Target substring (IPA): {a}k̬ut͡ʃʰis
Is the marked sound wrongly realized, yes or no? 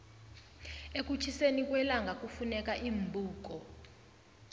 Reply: yes